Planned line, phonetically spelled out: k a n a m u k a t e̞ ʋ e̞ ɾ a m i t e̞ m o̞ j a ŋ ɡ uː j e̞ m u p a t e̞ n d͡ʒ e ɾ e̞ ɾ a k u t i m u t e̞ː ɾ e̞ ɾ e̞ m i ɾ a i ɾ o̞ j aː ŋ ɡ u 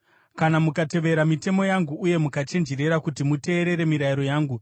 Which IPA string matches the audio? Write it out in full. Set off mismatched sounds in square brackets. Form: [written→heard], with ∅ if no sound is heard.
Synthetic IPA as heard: k a n a m u k a t e̞ ʋ e̞ ɾ a m i t e̞ m o̞ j a ŋ ɡ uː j e̞ m u [p→k] a [t→t͡ʃ] e̞ n d͡ʒ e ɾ e̞ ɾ a k u t i m u t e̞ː ɾ e̞ ɾ e̞ m i ɾ a i ɾ o̞ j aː ŋ ɡ u